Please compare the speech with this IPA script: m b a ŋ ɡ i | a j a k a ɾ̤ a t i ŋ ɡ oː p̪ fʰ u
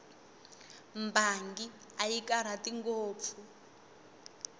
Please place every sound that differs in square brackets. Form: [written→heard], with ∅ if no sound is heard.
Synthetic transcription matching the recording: m b a ŋ ɡ i | a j [a→i] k a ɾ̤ a t i ŋ ɡ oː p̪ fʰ u